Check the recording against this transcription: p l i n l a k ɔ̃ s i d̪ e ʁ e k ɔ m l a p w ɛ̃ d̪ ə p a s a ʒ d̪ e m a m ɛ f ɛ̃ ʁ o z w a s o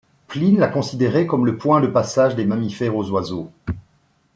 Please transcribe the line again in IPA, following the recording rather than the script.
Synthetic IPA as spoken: p l i n l a k ɔ̃ s i d̪ e ʁ e k ɔ m l ə p w ɛ̃ d̪ ə p a s a ʒ d̪ e m a m i f ɛ ʁ o z w a z o